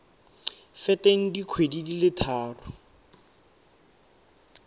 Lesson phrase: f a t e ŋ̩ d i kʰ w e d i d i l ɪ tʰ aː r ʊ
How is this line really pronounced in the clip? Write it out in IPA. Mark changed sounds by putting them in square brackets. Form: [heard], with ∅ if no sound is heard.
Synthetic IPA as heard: f [ɛ] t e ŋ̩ d i kʰ w e d i d i l ɪ tʰ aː r ʊ